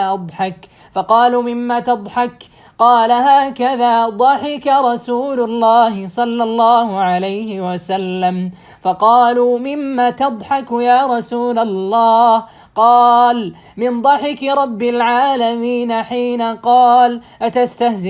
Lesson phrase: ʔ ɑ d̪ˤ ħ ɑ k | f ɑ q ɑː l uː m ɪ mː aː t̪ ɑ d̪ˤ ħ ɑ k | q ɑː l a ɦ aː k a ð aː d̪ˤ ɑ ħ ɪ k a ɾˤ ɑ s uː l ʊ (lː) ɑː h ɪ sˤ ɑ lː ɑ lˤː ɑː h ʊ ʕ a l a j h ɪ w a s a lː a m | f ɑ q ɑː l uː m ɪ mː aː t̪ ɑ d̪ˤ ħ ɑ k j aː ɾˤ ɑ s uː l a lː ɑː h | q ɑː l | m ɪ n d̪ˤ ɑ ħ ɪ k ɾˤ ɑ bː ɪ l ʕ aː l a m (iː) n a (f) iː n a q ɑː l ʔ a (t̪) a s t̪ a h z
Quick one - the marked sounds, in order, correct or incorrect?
correct, correct, incorrect: ħ, correct

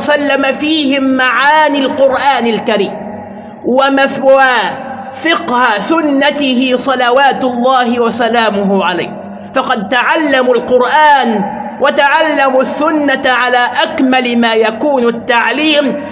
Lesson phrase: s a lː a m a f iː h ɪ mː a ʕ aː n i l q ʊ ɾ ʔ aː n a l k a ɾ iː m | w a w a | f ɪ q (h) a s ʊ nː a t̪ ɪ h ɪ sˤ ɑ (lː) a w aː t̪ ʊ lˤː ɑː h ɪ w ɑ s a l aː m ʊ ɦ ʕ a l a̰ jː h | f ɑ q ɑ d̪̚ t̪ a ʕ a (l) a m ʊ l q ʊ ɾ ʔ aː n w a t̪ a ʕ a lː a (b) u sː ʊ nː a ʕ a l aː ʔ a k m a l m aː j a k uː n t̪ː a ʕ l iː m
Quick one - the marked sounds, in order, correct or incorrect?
correct, incorrect: l, incorrect: lː, incorrect: m

